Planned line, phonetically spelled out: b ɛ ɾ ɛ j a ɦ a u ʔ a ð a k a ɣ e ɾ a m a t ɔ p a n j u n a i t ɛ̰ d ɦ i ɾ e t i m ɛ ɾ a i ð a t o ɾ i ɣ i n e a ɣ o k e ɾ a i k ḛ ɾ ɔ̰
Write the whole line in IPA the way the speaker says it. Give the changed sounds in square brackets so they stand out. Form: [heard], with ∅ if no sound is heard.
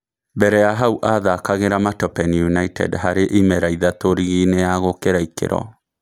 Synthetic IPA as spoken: b ɛ ɾ ɛ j a ɦ a u ʔ a ð a k a ɣ e ɾ a m a t ɔ p [ɛ] n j u n a i t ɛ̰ d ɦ [a] ɾ e [ʔ] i m ɛ ɾ a i ð a t o ɾ i ɣ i n e a ɣ o k e ɾ a i k ḛ ɾ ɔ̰